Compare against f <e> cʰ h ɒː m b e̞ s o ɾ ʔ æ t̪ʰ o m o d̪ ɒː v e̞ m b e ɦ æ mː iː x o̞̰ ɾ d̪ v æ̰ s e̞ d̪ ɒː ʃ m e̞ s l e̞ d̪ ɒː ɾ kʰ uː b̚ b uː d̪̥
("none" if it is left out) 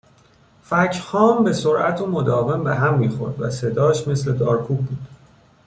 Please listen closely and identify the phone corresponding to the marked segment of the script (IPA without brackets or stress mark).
æ